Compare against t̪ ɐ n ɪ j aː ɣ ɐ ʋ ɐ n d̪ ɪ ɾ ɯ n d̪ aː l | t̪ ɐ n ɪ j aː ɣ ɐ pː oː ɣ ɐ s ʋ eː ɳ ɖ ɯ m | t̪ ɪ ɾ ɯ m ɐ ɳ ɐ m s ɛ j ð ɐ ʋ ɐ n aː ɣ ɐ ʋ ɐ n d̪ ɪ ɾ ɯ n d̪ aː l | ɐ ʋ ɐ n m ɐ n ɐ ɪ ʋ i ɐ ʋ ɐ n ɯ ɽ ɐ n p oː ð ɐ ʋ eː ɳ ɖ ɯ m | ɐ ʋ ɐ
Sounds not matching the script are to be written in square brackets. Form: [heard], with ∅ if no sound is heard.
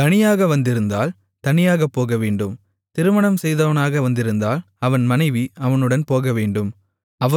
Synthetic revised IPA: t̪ ɐ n ɪ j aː ɣ ɐ ʋ ɐ n d̪ ɪ ɾ ɯ n d̪ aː l | t̪ ɐ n ɪ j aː ɣ ɐ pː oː ɣ ɐ [∅] ʋ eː ɳ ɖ ɯ m | t̪ ɪ ɾ ɯ m ɐ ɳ ɐ m s ɛ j ð ɐ ʋ ɐ n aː ɣ ɐ ʋ ɐ n d̪ ɪ ɾ ɯ n d̪ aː l | ɐ ʋ ɐ n m ɐ n ɐ ɪ ʋ i ɐ ʋ ɐ n ɯ ɽ ɐ n p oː [ɣ] ɐ ʋ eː ɳ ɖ ɯ m | ɐ ʋ ɐ